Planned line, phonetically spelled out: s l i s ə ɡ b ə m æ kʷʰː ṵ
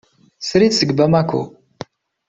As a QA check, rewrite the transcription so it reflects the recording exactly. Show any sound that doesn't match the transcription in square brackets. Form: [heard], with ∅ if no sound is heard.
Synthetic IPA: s [ɾ] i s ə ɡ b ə m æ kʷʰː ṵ